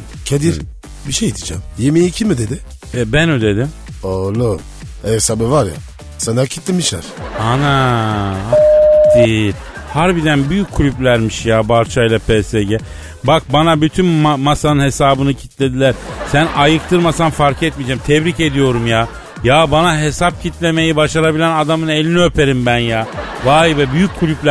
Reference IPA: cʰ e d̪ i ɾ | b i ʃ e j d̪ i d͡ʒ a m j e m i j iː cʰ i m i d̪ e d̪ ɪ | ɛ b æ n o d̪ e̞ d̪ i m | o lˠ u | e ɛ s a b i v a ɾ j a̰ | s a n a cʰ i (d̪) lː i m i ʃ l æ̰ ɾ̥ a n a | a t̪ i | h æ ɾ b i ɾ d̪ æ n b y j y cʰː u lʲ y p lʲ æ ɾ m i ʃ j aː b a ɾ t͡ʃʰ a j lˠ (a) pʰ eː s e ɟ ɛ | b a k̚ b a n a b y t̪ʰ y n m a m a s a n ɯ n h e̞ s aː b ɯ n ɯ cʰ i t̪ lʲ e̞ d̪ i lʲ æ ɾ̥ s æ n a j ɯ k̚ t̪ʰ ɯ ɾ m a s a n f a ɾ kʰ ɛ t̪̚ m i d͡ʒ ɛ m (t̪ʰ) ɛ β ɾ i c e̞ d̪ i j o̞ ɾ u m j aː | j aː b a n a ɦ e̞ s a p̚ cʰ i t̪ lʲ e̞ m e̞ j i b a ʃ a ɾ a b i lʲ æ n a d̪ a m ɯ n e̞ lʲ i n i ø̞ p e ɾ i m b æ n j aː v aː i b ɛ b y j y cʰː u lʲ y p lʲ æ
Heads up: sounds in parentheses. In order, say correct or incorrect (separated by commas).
incorrect, correct, correct